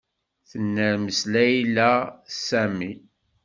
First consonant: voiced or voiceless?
voiceless